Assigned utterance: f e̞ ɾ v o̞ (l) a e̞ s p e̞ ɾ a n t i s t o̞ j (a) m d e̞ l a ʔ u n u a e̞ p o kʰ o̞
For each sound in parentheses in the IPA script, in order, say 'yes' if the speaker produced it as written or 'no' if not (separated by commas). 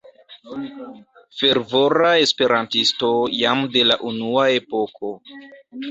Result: no, yes